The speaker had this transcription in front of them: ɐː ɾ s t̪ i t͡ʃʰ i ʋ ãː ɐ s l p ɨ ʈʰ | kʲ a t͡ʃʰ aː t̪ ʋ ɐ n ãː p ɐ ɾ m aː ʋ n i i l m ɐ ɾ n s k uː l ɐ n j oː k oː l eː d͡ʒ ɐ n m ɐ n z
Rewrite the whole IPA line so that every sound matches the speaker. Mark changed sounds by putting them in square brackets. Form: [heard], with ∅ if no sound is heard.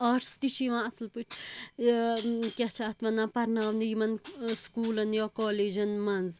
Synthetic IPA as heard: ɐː ɾ s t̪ i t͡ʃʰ i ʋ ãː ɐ s l p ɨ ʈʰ | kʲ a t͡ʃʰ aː t̪ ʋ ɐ n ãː p ɐ ɾ [n] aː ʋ n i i [∅] m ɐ [∅] n s k uː l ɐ n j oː k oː l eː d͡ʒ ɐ n m ɐ n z